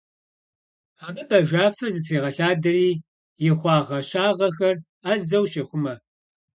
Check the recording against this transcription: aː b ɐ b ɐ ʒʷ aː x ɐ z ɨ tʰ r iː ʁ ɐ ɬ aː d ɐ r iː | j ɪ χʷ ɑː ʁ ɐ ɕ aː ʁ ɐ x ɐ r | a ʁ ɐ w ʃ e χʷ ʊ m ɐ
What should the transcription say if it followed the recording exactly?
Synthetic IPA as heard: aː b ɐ b ɐ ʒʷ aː f ɐ z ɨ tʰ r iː ʁ ɐ ɬ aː d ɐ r iː | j ɪ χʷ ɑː ʁ ɐ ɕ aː ʁ ɐ x ɐ r | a z ɐ w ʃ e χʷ ʊ m ɐ